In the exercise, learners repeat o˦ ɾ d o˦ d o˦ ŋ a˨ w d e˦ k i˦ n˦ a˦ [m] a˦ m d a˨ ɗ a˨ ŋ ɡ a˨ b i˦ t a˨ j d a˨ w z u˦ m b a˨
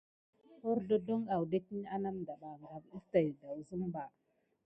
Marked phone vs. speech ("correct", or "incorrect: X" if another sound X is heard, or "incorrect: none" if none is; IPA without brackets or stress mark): incorrect: n